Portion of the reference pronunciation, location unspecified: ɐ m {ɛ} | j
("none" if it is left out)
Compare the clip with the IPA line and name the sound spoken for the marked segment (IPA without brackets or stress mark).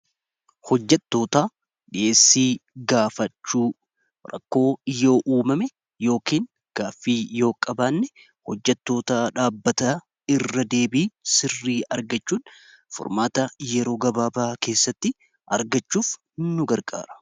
ɛ